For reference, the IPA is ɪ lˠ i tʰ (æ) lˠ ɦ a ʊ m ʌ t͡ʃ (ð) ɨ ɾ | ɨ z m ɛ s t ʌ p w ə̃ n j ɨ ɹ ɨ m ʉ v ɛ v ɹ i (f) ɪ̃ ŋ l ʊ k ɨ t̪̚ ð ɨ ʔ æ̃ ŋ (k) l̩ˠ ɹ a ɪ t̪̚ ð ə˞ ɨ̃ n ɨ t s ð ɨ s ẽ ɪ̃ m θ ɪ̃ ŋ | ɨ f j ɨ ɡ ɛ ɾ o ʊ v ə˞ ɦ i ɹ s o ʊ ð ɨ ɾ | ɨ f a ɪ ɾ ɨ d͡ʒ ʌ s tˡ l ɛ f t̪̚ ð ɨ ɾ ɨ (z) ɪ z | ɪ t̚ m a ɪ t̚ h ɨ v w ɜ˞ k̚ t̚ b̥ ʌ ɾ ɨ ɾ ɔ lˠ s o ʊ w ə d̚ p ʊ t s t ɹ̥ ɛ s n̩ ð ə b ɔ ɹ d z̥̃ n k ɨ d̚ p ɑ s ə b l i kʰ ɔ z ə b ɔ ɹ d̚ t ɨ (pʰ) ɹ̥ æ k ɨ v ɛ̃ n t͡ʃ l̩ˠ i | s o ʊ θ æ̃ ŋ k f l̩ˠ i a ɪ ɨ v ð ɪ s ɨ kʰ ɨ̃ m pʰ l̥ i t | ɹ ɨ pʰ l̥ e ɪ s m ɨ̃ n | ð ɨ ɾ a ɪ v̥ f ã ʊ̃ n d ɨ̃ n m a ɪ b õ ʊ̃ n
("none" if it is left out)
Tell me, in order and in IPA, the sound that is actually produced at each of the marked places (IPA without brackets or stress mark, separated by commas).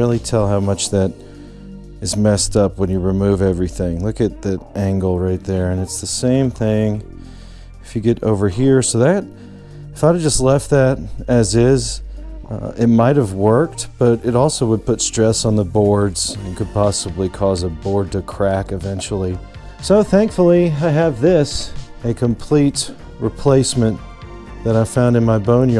ɛ, ð, θ, ɡ, z, kʰ